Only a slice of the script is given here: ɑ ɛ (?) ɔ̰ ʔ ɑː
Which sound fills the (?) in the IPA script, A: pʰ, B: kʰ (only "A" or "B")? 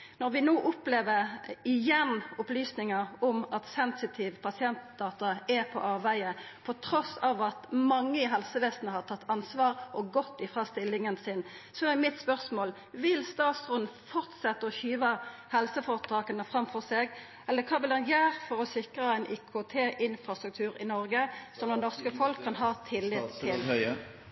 A